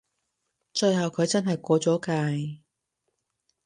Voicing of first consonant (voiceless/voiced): voiceless